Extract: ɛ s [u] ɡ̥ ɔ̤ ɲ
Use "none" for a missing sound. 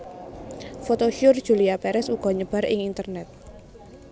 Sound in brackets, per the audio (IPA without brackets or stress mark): u